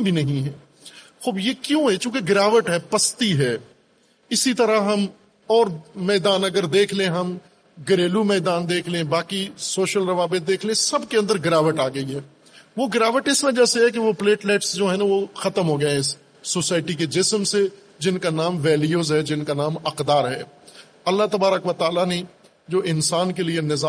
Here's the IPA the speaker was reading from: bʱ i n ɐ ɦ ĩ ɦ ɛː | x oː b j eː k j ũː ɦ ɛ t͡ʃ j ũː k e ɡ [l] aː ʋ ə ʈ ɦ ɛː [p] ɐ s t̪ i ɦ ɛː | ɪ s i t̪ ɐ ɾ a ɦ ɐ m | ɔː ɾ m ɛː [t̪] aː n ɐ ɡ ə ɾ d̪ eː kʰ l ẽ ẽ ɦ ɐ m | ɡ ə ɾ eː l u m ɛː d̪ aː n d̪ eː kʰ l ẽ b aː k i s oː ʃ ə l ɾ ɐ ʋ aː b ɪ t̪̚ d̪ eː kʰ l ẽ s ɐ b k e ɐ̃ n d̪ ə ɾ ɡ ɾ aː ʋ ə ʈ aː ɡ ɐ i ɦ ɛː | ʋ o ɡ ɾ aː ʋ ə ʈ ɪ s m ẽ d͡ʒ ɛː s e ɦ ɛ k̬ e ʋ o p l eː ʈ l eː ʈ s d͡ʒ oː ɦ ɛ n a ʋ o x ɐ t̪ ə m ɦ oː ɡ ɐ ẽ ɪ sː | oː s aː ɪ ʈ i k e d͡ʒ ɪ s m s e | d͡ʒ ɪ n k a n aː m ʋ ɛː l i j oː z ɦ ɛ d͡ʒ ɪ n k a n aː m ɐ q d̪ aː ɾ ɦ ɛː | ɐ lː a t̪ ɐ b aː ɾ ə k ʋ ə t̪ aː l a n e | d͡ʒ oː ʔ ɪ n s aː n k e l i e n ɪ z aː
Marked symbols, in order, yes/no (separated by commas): no, yes, no